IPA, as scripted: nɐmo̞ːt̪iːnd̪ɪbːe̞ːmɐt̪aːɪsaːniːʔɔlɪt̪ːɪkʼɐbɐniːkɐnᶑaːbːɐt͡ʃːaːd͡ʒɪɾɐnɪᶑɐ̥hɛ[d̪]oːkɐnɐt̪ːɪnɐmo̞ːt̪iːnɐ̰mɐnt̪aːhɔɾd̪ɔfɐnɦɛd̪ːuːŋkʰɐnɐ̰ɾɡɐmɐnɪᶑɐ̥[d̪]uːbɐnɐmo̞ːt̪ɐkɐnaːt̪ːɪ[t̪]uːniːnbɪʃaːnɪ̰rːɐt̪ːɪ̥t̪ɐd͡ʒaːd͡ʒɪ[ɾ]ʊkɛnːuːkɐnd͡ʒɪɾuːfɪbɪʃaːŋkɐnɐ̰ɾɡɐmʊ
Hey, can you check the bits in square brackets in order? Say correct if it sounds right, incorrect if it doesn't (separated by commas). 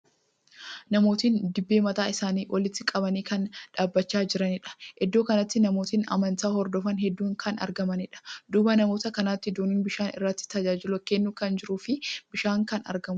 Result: incorrect, correct, incorrect, incorrect